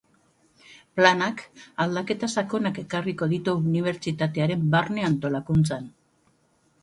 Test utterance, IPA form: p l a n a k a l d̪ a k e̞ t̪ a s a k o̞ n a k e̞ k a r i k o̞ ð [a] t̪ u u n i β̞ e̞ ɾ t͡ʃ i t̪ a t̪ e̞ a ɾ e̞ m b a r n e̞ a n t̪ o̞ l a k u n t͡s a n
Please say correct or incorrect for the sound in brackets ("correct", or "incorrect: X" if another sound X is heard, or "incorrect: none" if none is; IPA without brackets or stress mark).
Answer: incorrect: i